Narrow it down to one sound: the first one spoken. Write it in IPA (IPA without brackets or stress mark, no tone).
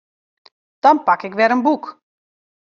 d̥